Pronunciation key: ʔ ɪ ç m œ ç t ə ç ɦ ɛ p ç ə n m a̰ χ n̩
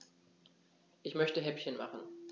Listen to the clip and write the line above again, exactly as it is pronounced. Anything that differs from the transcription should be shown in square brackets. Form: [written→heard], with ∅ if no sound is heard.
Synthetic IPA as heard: ʔ ɪ ç m œ ç t ə [ç→∅] ɦ ɛ p ç ə n m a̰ χ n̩